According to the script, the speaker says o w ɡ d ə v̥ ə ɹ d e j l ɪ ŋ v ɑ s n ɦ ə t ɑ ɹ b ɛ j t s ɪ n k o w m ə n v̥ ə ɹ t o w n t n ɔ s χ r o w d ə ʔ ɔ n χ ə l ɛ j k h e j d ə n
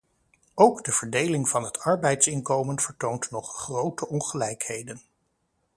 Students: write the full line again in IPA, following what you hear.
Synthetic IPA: o w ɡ d ə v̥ ə ɹ d e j l ɪ ŋ v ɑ n ɦ ə t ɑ ɹ b ɛ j t s ɪ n k o w m ə n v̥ ə ɹ t o w n t n ɔ χ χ r o w t ə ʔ ɔ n χ ə l ɛ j k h e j d ə n